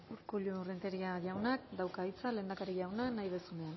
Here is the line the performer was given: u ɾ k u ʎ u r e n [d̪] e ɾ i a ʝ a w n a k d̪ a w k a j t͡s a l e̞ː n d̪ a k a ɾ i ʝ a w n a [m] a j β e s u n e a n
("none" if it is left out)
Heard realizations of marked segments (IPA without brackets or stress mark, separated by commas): t̪, n